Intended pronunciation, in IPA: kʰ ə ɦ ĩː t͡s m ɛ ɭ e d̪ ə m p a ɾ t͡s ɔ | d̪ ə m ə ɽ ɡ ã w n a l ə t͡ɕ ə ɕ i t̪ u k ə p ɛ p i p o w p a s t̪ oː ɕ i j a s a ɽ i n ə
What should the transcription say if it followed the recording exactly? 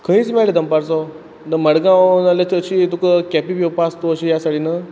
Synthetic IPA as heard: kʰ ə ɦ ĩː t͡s m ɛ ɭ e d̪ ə m p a ɾ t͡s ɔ | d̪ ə m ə ɽ ɡ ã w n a l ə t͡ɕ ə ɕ i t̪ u k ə k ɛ p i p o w p a s t̪ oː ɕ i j a s a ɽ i n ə